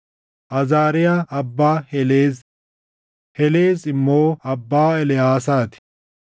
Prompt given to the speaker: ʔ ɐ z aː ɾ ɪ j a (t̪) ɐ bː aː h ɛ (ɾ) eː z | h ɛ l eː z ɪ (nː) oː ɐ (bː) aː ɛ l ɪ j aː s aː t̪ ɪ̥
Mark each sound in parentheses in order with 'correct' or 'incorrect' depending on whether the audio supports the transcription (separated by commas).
incorrect, incorrect, incorrect, correct